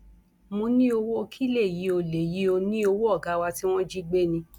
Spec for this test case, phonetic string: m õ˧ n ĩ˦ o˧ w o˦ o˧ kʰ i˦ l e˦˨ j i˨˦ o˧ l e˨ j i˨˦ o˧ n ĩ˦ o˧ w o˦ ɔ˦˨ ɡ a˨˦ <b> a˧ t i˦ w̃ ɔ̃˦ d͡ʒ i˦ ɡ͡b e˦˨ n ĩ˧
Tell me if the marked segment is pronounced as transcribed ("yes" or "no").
no